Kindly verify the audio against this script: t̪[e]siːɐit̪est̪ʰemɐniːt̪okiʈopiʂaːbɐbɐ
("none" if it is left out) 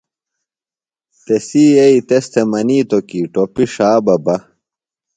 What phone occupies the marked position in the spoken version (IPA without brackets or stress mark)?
e